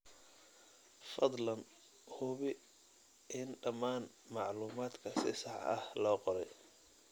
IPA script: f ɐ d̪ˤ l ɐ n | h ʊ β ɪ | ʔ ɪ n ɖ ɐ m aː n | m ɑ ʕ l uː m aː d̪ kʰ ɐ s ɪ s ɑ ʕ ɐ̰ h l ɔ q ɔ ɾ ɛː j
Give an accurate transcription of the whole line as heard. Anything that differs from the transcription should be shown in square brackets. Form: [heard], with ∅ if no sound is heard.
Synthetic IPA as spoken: f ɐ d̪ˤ l ɐ n | h ʊ β ɪ | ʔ ɪ n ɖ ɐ m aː n | m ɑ ʕ l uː m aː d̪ kʰ ɐ s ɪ s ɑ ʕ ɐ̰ h l [ɔː] q ɔ ɾ [ɛ] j